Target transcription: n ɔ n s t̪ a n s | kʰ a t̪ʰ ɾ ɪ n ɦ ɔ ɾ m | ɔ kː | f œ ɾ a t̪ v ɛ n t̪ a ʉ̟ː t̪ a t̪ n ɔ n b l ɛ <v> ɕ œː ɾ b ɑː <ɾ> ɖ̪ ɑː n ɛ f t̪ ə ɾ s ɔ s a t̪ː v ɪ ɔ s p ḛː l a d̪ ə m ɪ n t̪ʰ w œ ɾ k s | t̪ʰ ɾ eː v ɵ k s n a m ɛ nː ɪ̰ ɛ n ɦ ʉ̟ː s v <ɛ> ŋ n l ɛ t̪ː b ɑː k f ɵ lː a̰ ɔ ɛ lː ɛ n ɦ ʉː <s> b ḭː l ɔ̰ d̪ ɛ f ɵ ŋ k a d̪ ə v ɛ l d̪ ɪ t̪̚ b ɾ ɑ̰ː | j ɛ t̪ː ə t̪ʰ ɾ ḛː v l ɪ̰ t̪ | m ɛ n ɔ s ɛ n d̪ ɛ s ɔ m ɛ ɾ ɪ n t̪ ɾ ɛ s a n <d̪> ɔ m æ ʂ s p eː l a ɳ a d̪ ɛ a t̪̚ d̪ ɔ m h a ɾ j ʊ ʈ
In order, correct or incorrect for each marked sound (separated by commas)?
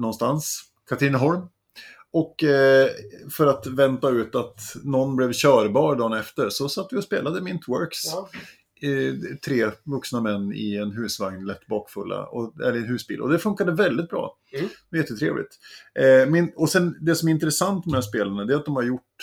correct, correct, incorrect, correct, incorrect